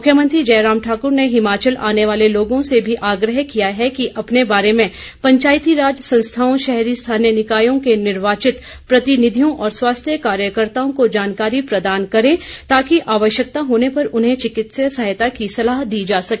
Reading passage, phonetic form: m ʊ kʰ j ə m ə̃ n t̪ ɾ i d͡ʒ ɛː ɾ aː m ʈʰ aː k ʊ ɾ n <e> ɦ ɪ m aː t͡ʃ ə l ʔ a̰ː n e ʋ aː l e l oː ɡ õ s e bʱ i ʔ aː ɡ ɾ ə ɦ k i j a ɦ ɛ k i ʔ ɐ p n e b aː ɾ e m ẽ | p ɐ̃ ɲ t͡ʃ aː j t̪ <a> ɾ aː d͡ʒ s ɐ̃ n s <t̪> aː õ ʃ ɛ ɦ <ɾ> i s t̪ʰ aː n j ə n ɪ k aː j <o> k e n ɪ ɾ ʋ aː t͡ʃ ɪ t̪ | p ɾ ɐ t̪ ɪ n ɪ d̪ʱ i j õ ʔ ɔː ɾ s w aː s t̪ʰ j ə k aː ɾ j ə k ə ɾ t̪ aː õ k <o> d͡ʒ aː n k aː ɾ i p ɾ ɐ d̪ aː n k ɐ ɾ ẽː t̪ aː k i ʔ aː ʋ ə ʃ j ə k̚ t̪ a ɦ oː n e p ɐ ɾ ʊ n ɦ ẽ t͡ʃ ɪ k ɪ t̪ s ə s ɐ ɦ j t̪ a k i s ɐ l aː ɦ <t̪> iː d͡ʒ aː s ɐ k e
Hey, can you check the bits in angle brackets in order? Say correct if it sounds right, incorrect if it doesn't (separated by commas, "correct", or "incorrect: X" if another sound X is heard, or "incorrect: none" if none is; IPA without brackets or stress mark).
correct, incorrect: i, incorrect: t̪ʰ, correct, incorrect: õ, correct, incorrect: d̪